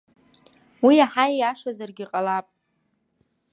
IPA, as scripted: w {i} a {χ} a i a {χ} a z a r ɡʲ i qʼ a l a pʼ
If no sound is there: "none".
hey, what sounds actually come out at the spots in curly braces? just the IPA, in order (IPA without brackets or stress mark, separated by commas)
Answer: i, ħ, ʂ